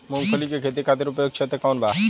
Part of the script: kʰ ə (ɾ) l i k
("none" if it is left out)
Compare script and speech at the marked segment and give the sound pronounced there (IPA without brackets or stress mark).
none